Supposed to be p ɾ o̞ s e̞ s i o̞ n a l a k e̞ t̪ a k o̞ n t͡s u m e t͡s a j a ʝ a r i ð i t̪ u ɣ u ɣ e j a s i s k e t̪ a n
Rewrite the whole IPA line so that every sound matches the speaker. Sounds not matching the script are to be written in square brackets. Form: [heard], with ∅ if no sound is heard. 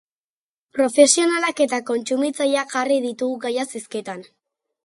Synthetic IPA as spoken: p ɾ o̞ [f] e̞ s i o̞ n a l a k e̞ t̪ a k o̞ n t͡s u m [i] t͡s a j a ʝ a r i ð i t̪ u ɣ u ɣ [a] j a s i s k e t̪ a n